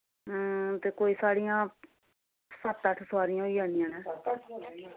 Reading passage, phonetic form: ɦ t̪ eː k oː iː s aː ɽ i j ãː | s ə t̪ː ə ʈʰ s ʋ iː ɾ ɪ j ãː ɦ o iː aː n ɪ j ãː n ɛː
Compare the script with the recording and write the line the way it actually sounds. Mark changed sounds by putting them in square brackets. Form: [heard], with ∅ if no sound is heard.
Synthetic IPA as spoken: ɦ t̪ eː k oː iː s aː ɽ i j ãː | s ə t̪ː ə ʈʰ s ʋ [aː] ɾ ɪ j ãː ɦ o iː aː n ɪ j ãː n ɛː